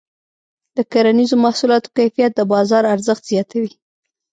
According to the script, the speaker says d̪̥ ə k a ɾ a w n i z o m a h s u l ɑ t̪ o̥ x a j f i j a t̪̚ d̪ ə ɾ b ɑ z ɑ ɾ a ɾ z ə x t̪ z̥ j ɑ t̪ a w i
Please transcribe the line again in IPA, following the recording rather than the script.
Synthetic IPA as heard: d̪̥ ə k a ɾ a n i z o m a h s u l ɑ t̪ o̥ k a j f i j a t̪̚ d̪ ə b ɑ z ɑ ɾ a ɾ z ə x t̪ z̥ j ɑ t̪ a w i